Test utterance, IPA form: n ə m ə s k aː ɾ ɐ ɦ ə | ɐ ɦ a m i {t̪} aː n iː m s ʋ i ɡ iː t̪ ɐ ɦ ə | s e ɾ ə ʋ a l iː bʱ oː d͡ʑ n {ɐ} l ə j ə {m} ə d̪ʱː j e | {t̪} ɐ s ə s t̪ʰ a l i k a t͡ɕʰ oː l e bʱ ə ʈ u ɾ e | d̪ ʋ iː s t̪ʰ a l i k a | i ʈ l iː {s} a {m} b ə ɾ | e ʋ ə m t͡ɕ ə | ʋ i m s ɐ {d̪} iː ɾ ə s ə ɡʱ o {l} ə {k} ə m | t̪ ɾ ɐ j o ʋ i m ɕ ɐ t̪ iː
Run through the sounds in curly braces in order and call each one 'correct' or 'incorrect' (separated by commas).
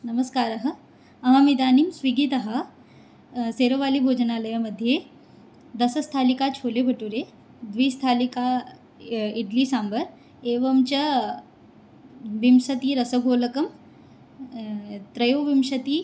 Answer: incorrect, incorrect, correct, incorrect, correct, correct, incorrect, correct, correct